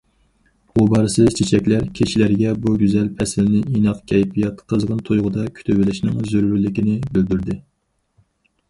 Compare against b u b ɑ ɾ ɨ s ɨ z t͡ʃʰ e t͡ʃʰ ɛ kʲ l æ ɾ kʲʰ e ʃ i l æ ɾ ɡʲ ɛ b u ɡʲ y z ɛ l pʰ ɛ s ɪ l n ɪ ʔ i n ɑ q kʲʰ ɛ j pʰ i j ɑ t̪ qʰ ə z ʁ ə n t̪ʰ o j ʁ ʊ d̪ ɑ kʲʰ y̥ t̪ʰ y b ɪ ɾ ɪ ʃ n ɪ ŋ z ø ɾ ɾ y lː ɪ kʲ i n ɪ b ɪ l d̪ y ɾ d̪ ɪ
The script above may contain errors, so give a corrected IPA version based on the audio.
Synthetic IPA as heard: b u b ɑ ɾ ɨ s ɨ z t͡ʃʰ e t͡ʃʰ ɛ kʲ l æ ɾ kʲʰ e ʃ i l æ ɾ ɡʲ ɛ b u ɡʲ y z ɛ l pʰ ɛ s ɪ l n ɪ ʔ i n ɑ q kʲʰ ɛ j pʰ i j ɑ t̪ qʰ ə z ʁ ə n t̪ʰ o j ʁ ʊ d̪ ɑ kʲʰ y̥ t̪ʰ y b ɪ l ɪ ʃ n ɪ ŋ z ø ɾ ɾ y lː ɪ kʲ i n ɪ b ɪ l d̪ y ɾ d̪ ɪ